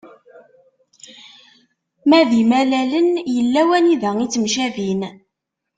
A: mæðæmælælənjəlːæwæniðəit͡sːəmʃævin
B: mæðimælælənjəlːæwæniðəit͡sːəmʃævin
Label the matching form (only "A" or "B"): B